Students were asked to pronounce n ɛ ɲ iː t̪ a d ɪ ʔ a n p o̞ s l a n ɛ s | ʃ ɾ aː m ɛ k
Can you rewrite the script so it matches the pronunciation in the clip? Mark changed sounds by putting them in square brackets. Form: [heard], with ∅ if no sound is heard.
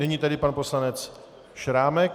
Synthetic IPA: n ɛ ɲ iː t̪ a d ɪ [p] a n p o̞ s l a n ɛ [t͡s] | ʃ ɾ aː m ɛ k